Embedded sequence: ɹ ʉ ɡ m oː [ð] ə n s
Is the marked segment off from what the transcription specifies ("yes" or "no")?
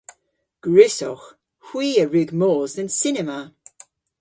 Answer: yes